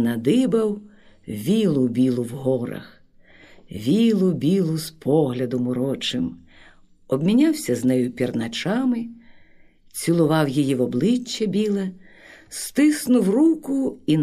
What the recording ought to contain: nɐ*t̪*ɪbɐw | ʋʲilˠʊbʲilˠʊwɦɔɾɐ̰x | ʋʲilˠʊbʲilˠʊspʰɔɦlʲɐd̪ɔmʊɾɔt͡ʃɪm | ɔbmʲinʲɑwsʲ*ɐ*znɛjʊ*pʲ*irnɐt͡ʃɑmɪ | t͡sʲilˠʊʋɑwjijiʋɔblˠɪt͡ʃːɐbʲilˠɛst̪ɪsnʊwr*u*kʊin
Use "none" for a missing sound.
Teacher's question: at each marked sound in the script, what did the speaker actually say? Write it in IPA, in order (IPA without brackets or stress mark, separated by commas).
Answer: d̪, ɐ, pʲ, u